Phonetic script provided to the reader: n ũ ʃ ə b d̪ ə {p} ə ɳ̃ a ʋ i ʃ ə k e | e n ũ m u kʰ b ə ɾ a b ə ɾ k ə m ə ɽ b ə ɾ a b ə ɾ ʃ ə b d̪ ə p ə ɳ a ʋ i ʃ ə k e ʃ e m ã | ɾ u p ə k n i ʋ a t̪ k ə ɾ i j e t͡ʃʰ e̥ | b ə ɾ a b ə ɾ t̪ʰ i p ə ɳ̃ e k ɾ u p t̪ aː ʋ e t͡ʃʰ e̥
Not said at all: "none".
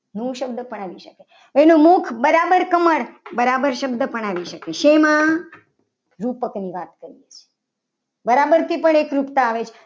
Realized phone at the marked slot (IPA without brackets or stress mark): p